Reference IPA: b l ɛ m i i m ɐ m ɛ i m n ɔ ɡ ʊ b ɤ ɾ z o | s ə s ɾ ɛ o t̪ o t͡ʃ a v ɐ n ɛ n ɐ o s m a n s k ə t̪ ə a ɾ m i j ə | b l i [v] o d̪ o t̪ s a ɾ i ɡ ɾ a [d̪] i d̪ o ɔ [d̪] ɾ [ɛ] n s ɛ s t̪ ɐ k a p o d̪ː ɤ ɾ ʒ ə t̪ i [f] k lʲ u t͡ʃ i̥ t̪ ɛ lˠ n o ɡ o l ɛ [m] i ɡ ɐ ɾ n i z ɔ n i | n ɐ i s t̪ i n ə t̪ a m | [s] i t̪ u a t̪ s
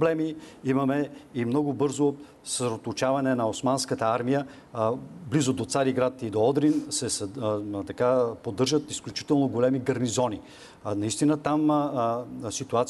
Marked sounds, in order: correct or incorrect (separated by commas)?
incorrect, incorrect, correct, incorrect, incorrect, correct, correct